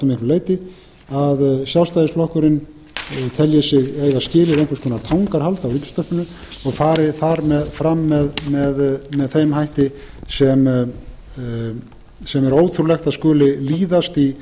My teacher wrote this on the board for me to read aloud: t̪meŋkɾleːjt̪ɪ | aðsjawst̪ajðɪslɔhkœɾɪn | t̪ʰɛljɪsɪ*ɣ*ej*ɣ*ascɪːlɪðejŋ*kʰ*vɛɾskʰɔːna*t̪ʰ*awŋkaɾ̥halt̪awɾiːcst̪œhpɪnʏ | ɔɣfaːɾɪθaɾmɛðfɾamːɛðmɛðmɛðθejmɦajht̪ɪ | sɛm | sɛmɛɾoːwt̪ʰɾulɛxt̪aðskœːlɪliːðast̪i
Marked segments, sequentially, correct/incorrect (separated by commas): correct, correct, incorrect, correct